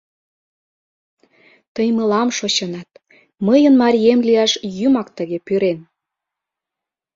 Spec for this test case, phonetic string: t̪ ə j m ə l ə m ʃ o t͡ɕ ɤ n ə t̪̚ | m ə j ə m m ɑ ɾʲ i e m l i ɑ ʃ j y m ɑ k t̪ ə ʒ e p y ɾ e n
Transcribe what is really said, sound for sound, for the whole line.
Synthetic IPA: t̪ ə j m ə l ɑ m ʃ o t͡ɕ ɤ n ɑ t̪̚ | m ə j ə n m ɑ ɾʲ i e m l i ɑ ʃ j y m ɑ k t̪ ə ɣ e p y ɾ e n